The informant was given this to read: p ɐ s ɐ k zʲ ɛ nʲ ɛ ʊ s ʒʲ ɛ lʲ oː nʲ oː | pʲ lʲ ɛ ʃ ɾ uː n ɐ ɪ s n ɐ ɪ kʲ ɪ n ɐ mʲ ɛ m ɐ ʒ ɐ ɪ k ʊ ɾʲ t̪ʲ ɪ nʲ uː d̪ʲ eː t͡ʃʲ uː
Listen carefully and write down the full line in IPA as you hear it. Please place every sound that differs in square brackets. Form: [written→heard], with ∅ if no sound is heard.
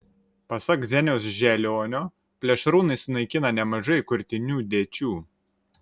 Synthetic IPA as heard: p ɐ s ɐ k zʲ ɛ nʲ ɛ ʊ s ʒʲ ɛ lʲ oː nʲ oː | pʲ lʲ ɛ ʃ ɾ uː n ɐ ɪ s n ɐ ɪ kʲ ɪ n ɐ [mʲ→nʲ] ɛ m ɐ ʒ ɐ ɪ k ʊ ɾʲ t̪ʲ ɪ nʲ uː d̪ʲ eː t͡ʃʲ uː

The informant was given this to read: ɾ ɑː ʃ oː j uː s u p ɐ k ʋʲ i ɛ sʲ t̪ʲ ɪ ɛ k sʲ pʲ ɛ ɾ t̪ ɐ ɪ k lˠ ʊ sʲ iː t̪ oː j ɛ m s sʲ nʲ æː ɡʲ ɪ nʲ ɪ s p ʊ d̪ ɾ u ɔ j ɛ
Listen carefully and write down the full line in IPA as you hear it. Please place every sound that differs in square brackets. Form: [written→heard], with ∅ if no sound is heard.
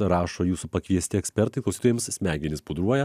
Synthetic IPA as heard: ɾ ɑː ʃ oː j uː s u p ɐ k ʋʲ i ɛ sʲ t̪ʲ ɪ ɛ k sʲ pʲ ɛ ɾ t̪ ɐ ɪ k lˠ ʊ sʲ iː t̪ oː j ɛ m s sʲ [nʲ→mʲ] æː ɡʲ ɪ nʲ ɪ s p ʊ d̪ ɾ u ɔ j ɛ

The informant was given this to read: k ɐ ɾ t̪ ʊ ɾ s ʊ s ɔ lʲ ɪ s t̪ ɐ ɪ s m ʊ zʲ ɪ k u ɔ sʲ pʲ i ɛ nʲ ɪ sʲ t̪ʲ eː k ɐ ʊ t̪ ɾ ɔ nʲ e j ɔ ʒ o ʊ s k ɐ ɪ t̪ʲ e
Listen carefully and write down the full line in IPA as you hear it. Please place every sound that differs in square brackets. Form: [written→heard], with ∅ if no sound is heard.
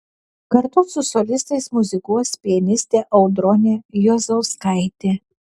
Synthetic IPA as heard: k ɐ ɾ t̪ ʊ [ɾ→∅] s ʊ s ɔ lʲ ɪ s t̪ ɐ ɪ s m ʊ zʲ ɪ k u ɔ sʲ pʲ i ɛ nʲ ɪ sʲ t̪ʲ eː [k→ʔ] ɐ ʊ [t̪→d̪] ɾ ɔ nʲ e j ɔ [ʒ→z] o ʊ s k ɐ ɪ t̪ʲ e

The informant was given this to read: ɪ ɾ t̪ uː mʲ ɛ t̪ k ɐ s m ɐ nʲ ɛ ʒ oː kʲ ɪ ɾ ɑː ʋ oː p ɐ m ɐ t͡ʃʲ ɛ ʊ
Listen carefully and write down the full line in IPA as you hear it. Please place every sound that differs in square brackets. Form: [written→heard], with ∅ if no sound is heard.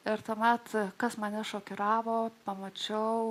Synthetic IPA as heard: ɪ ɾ t̪ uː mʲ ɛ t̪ k ɐ s m ɐ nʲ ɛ [ʒ→ʃ] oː kʲ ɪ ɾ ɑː ʋ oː p ɐ m ɐ t͡ʃʲ ɛ ʊ

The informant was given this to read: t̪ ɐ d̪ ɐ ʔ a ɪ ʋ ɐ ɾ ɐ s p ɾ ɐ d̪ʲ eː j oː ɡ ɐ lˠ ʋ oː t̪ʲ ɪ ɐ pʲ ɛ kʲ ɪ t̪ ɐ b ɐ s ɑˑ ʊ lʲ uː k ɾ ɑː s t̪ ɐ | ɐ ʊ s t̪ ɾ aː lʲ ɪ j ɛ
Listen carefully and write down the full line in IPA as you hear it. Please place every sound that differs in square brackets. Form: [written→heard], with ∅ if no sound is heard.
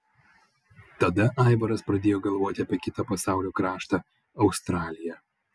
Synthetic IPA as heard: t̪ ɐ d̪ ɐ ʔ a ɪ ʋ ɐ ɾ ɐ s p ɾ ɐ d̪ʲ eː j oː ɡ ɐ lˠ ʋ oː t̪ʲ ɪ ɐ pʲ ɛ kʲ ɪ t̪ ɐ [b→p] ɐ s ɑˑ ʊ lʲ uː k ɾ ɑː [s→ʃ] t̪ ɐ | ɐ ʊ s t̪ ɾ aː lʲ ɪ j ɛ

